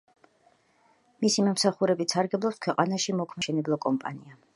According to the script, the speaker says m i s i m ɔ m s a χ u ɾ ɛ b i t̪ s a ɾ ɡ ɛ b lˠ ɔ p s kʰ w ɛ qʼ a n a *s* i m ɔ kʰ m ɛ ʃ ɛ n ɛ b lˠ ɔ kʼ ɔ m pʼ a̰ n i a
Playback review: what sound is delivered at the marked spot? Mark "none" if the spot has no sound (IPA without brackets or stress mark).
ʃ